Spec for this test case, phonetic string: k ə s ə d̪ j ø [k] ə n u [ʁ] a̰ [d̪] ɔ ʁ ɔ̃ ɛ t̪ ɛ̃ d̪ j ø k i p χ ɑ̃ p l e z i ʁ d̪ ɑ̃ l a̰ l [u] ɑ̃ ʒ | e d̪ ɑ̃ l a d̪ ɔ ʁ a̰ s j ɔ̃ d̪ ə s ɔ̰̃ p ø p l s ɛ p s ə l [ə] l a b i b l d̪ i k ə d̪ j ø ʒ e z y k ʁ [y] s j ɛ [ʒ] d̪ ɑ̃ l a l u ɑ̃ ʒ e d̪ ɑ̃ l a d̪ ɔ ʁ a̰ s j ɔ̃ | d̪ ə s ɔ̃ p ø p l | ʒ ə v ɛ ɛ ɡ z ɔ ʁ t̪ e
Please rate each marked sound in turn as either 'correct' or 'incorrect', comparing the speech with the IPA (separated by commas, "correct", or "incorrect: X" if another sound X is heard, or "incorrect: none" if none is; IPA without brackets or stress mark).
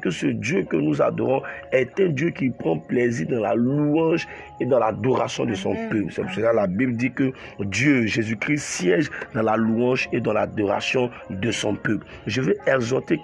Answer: correct, incorrect: z, correct, correct, incorrect: a, incorrect: i, correct